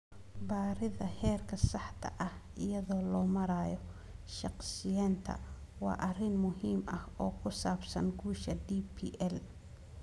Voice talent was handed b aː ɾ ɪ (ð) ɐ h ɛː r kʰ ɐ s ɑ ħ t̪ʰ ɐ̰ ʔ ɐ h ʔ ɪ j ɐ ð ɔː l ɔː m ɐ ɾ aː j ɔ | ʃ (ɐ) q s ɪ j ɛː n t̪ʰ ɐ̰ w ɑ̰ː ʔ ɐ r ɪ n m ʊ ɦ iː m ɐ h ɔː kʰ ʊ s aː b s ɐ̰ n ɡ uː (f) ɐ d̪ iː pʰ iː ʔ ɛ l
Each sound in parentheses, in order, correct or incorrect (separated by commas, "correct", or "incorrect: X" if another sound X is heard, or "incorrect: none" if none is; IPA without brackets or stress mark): correct, incorrect: ɑ, incorrect: ʃ